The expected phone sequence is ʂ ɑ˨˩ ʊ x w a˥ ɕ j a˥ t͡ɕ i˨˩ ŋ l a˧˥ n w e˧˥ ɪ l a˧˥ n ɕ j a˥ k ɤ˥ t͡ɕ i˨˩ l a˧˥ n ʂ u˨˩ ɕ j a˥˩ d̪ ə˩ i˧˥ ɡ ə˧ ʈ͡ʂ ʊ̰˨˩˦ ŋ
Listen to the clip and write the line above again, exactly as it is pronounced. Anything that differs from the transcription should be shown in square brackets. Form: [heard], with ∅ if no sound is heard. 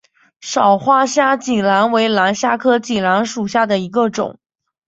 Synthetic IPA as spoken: ʂ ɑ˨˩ ʊ x w a˥ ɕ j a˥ t͡ɕ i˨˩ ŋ l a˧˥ n w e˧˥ ɪ l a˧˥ n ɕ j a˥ [kʰ] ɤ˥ t͡ɕ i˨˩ l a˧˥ n ʂ u˨˩ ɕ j a˥˩ d̪ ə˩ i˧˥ ɡ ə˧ ʈ͡ʂ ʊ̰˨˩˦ ŋ